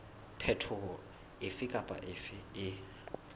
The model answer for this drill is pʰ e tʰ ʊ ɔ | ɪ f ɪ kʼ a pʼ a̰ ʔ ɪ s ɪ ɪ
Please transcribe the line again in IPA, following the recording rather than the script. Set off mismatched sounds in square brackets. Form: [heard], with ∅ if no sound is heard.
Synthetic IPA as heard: pʰ [ɛ] tʰ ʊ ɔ | ɪ f ɪ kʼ a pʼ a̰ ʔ ɪ [f] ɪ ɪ